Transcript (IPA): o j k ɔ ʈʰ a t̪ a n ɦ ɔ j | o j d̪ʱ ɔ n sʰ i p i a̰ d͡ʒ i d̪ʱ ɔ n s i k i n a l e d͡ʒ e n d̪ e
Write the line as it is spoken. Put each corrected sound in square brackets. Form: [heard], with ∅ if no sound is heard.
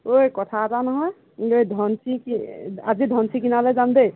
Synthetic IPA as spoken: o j k ɔ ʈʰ a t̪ a n ɦ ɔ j | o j d̪ʱ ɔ n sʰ i [k] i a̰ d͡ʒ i d̪ʱ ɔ n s i k i n a l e d͡ʒ [a] n d̪ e